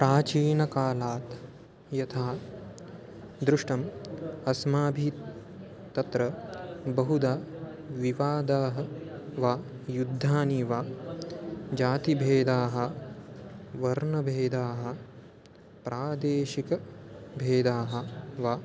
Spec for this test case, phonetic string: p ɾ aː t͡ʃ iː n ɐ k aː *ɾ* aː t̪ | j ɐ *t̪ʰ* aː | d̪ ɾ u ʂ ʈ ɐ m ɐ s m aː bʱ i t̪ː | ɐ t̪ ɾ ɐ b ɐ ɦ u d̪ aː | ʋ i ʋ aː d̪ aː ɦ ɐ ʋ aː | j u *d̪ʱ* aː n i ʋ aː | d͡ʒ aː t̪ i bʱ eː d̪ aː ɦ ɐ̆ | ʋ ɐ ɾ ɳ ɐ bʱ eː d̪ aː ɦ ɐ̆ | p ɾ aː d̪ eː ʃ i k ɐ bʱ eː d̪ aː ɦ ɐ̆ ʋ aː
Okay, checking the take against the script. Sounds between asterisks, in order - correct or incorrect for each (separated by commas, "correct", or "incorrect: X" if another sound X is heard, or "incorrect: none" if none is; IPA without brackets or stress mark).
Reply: incorrect: l, correct, incorrect: d̪ʱː